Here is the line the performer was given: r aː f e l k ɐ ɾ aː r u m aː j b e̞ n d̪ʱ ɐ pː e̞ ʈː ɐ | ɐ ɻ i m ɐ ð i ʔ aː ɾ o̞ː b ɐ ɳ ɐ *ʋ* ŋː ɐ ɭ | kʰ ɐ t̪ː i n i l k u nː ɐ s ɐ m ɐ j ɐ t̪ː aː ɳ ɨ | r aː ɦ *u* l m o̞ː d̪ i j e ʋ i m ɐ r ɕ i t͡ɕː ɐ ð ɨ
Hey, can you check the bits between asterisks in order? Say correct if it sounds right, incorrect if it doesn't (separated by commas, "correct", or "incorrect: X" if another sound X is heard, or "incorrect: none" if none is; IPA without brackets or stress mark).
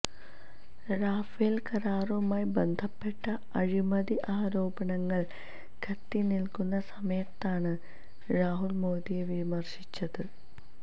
incorrect: none, correct